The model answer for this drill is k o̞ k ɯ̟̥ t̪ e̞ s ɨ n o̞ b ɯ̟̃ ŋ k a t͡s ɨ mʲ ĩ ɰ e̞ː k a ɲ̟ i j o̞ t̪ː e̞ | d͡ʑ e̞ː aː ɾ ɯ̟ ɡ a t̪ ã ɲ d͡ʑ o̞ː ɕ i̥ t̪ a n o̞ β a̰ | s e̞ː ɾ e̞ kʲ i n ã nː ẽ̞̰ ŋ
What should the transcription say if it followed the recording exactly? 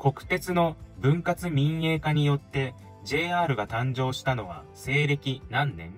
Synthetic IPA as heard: k o̞ k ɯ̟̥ t̪ e̞ t͡s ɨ n o̞ b ɯ̟̃ ŋ k a t͡s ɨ mʲ ĩ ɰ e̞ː k a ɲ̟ i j o̞ t̪ː e̞ | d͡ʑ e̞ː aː ɾ ɯ̟ ɡ a t̪ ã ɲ d͡ʑ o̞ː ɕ i̥ t̪ a n o̞ β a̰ | s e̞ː ɾ e̞ kʲ i n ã nː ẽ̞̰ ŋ